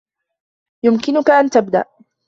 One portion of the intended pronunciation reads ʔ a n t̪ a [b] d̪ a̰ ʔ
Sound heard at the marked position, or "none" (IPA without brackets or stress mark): b